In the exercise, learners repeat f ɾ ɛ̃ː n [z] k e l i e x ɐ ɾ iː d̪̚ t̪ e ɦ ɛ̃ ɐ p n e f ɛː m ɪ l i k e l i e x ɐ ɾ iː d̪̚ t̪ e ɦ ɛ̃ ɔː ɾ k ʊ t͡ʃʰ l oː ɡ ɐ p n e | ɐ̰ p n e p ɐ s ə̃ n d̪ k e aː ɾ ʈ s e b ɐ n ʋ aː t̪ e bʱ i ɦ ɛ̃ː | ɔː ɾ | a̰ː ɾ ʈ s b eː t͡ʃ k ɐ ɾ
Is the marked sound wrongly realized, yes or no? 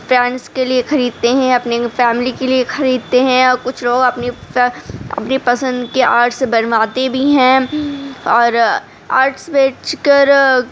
yes